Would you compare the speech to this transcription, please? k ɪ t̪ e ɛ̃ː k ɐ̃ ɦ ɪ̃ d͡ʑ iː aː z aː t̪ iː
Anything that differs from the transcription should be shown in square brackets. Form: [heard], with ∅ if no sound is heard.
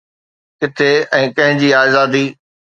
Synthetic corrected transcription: k ɪ [t̪ʰ] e ɛ̃ː k ɐ̃ ɦ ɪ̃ d͡ʑ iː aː z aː [d̪] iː